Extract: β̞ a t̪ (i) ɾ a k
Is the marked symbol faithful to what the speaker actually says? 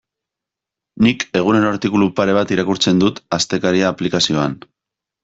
yes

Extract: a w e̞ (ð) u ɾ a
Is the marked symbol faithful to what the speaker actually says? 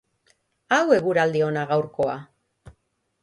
no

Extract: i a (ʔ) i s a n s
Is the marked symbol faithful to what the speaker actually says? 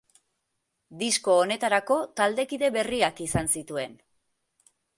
no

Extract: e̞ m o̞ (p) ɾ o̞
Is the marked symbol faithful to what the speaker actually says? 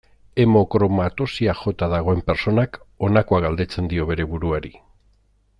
no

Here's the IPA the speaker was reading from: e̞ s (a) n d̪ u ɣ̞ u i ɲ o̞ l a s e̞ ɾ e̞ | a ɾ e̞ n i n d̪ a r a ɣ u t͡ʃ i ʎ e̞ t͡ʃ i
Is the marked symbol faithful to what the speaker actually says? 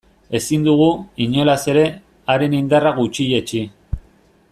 no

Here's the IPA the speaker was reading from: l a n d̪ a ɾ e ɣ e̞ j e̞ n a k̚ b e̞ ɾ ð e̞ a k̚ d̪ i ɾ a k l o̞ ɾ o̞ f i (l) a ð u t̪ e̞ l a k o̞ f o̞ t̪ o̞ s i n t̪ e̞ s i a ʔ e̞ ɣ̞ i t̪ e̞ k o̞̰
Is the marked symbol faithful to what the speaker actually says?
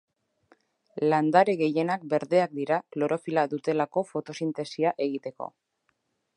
yes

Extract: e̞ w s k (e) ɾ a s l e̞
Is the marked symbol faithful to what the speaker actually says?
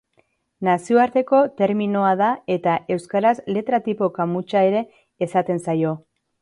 no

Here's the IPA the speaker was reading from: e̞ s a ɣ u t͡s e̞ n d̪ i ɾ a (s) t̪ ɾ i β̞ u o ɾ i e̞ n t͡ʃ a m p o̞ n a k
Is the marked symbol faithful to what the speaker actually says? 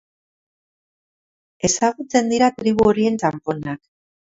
no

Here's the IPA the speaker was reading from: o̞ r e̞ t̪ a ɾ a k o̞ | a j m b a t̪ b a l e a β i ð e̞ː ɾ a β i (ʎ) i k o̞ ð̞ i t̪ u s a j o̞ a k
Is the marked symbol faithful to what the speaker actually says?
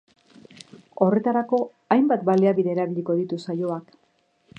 yes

